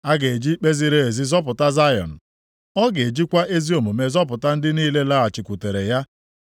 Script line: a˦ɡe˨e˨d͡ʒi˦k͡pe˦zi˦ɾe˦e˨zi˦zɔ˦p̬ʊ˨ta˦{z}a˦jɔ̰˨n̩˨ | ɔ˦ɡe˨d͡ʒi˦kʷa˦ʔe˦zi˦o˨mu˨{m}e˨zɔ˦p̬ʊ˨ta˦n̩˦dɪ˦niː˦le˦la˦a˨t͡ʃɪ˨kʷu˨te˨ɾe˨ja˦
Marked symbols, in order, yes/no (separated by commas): yes, yes